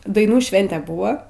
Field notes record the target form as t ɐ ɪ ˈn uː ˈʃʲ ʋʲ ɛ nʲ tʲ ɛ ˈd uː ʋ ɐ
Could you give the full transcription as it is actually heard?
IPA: d ɐ ɪ ˈn uː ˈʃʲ ʋʲ ɛ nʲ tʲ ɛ ˈb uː ʋ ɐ